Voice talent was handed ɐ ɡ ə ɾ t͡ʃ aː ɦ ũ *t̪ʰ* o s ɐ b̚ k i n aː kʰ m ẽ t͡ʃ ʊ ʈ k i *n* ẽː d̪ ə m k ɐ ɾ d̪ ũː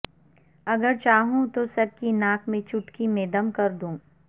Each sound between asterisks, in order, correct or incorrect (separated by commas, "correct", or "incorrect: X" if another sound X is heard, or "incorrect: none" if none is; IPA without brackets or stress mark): incorrect: t̪, incorrect: m